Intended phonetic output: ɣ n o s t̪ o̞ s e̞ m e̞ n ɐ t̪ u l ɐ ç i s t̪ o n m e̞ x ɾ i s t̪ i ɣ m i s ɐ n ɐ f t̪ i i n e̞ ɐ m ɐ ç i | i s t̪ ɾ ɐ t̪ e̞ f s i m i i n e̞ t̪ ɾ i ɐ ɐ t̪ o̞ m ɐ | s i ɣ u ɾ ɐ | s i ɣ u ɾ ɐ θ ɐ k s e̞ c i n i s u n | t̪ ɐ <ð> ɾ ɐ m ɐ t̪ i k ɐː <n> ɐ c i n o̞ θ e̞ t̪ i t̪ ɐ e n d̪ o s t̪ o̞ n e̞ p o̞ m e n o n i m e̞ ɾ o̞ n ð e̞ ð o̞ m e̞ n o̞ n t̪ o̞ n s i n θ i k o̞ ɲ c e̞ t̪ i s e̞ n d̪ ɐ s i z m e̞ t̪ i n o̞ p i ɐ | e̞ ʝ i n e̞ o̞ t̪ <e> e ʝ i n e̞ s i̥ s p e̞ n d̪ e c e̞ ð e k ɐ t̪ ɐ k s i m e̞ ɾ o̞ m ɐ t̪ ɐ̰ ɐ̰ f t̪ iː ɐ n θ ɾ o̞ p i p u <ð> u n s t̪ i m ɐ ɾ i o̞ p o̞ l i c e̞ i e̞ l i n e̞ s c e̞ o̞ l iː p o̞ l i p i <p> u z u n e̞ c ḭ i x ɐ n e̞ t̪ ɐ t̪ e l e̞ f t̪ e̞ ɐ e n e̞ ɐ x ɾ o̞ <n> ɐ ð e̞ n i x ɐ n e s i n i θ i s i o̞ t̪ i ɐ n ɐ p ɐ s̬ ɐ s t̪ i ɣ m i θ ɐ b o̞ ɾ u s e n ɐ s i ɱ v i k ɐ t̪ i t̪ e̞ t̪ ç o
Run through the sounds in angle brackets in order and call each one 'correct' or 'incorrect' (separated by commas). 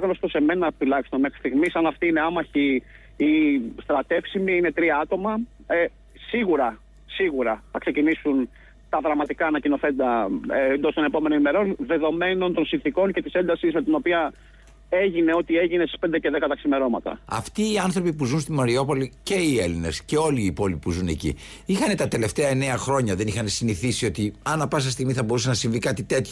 correct, correct, incorrect, incorrect, correct, incorrect